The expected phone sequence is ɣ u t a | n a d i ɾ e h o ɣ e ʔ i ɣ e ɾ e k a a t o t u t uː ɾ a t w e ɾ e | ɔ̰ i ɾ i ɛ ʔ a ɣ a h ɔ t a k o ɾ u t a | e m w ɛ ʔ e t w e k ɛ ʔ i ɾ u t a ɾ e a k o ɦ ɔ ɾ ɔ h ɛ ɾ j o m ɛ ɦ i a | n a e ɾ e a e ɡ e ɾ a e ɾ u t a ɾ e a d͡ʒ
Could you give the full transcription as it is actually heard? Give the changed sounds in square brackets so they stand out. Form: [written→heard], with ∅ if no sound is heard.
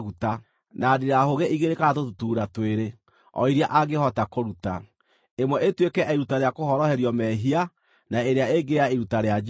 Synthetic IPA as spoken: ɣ u t a | n a d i ɾ [e→a] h o ɣ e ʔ i ɣ e ɾ e k a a t o t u t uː ɾ a t w e ɾ e | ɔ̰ i ɾ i [ɛ→a] ʔ a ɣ [a→e] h ɔ t a k o ɾ u t a | e m w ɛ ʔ e t w e k ɛ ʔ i ɾ u t a ɾ e a k o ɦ ɔ ɾ ɔ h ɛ ɾ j [o→ɔ] m ɛ ɦ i a | n a e ɾ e a e ɡ e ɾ a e ɾ u t a ɾ e a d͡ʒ

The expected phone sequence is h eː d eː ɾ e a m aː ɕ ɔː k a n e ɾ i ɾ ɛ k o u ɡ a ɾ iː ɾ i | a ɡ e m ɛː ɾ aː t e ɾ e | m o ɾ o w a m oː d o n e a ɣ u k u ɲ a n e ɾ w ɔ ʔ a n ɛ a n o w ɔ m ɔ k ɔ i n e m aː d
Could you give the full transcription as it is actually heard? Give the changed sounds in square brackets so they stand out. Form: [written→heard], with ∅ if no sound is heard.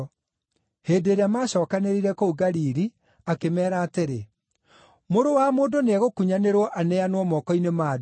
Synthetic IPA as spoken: h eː d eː ɾ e a m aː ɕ ɔː k a n e ɾ i ɾ ɛ k o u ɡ a ɾ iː ɾ i | a [ɡ→k] e m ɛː ɾ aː t e ɾ e | m o ɾ o w a m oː d o n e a ɣ [u→o] k u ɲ a n e ɾ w ɔ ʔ a n ɛ a n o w ɔ m ɔ k ɔ i n e m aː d

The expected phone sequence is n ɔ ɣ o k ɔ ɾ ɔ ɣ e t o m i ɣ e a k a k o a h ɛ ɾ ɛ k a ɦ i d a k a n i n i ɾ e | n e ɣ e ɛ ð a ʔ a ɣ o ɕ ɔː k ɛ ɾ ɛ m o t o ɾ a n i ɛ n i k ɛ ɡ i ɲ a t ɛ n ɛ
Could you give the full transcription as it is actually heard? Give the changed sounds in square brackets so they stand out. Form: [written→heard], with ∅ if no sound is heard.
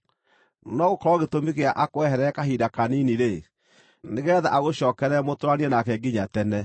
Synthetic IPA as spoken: n ɔ ɣ o k ɔ ɾ ɔ ɣ e t o m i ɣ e a [k→ʔ] a k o [a→ɛ] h ɛ ɾ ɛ k a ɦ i d a k a n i n i ɾ e | n e ɣ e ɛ ð a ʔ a ɣ o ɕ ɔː k ɛ ɾ ɛ m o t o ɾ a n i ɛ n [i→a] k ɛ ɡ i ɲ a t ɛ n ɛ

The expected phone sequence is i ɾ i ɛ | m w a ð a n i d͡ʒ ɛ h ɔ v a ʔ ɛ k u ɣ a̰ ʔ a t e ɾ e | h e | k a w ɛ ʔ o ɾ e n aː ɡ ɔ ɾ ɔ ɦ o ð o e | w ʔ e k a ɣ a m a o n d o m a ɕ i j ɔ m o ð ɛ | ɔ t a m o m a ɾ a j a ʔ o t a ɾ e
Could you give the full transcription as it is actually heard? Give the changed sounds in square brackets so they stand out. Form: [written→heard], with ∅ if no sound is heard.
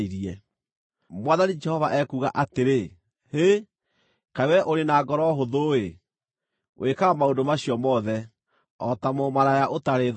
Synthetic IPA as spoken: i ɾ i ɛ | m w a ð a n i d͡ʒ ɛ h ɔ v a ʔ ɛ k u ɣ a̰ ʔ a t e ɾ e | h e | k a w ɛ ʔ o ɾ e n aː ɡ ɔ ɾ ɔ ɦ o ð o e | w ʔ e k a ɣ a m a o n d o m a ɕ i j ɔ m [o→ɔ] ð ɛ | ɔ t a m o m a ɾ a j a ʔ o t a ɾ e

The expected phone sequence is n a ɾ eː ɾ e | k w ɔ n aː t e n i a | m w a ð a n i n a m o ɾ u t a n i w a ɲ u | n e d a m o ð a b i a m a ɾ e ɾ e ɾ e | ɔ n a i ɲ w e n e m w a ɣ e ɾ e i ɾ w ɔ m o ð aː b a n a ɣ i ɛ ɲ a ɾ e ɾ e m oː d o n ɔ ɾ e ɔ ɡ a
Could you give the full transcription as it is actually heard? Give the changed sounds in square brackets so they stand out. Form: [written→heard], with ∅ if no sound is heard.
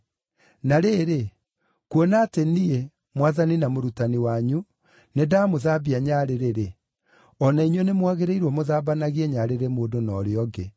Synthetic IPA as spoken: n a ɾ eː ɾ e | k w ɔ n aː t e n i [a→e] | m w a ð a n i n a m o ɾ u t a n i w a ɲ u | n e d a m o ð a b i a [m→ɲ] a ɾ e ɾ e ɾ e | ɔ n a i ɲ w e n e m w a ɣ e ɾ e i ɾ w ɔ m o ð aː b a n a ɣ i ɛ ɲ a ɾ e ɾ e m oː d o n ɔ ɾ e ɔ ɡ [a→e]

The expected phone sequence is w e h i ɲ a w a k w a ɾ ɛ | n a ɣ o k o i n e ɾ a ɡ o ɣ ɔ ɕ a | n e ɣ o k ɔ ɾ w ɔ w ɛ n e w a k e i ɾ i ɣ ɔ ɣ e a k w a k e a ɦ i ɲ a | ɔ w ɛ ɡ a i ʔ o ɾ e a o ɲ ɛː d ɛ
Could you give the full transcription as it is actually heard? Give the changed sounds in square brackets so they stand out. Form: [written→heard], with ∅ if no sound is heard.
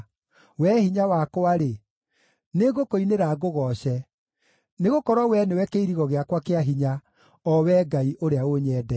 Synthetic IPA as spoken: w [e→ɛ] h i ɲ a w a k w a ɾ [ɛ→e] | n [a→e] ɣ o k o i n e ɾ a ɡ o ɣ ɔ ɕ [a→ɛ] | n e ɣ o k ɔ ɾ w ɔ w ɛ n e w [a→ɛ] k e i ɾ i ɣ ɔ ɣ e a k w a k e a ɦ i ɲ a | ɔ w ɛ ɡ a i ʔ o ɾ e a o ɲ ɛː d ɛ

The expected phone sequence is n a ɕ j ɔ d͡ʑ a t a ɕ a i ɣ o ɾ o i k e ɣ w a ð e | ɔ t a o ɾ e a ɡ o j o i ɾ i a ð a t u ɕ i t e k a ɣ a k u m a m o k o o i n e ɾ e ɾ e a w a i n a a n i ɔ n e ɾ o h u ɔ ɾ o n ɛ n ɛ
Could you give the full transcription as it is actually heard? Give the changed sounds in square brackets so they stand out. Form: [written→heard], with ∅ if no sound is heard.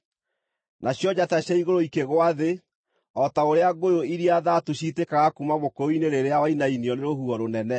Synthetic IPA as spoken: n a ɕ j ɔ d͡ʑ a t a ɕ a i ɣ o ɾ o i k e ɣ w a ð e | ɔ t a o ɾ e a ɡ o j o i ɾ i a ð a t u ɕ i t e k a ɣ a k u m a m o k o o i n e ɾ e ɾ e a w a i n a [a→i] n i ɔ n e ɾ o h u ɔ ɾ o n ɛ n ɛ

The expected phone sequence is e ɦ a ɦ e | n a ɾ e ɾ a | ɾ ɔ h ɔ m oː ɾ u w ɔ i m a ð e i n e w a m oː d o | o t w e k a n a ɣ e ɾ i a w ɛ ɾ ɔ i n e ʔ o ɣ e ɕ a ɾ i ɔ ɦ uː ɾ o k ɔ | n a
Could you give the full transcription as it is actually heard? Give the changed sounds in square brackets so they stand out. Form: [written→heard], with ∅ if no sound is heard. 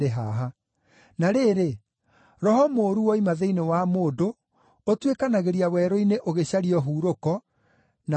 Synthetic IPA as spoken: e ɦ a ɦ [e→a] | n a ɾ e ɾ [a→e] | ɾ ɔ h ɔ m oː ɾ u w ɔ i m a ð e i n e w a m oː d o | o t w e k a n a ɣ e ɾ i a w ɛ ɾ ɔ i n e ʔ o ɣ e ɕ a ɾ i ɔ ɦ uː ɾ o k ɔ | n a

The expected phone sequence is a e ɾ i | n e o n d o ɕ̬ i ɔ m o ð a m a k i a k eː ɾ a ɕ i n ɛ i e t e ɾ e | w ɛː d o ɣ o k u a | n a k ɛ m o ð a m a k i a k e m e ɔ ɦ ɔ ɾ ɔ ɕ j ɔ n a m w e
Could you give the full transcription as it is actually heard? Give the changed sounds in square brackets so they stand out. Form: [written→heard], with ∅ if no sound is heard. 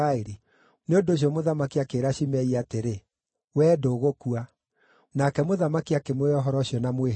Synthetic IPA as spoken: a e ɾ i | n e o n d o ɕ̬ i ɔ m o ð a m a k i a k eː ɾ a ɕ i [n→m] ɛ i [e→a] t e ɾ e | w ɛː d o ɣ o k u a | n a k ɛ m o ð a m a k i a k e m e ɔ ɦ ɔ ɾ ɔ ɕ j ɔ n a m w e

